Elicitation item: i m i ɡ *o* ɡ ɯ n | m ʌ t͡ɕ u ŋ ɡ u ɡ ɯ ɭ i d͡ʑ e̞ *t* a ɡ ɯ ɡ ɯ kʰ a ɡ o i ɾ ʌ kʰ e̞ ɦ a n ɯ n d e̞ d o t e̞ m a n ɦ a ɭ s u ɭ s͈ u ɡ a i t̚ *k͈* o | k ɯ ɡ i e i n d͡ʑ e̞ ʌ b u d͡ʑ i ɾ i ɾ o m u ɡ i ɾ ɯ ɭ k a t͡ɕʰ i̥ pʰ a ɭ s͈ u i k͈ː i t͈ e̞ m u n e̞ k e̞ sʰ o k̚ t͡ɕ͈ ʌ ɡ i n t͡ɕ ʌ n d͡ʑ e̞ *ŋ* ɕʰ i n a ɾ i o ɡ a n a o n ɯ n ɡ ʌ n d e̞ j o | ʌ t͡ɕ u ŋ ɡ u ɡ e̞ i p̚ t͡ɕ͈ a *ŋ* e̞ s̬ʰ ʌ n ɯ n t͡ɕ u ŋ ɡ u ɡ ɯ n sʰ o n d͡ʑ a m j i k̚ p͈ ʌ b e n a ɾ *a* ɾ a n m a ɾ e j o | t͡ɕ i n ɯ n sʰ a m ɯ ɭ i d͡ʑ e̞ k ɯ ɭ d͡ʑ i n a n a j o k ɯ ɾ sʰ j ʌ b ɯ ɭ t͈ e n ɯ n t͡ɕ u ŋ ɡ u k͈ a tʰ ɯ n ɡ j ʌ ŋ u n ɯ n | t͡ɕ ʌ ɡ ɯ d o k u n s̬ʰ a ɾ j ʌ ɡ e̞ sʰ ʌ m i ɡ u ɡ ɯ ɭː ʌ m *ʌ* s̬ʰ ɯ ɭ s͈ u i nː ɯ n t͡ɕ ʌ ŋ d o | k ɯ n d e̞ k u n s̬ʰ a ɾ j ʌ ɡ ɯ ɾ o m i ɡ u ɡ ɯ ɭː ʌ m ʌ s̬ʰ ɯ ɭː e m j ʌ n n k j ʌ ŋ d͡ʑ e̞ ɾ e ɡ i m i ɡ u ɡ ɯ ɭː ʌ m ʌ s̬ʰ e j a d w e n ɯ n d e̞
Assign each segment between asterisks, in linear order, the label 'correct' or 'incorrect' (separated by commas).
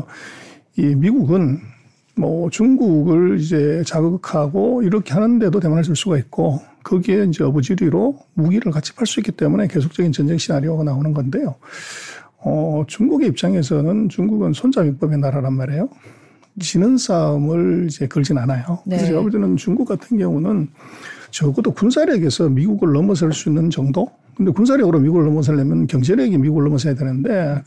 incorrect, incorrect, correct, correct, correct, correct, correct